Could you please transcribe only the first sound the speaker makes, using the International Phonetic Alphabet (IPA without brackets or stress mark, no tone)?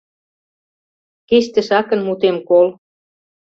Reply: k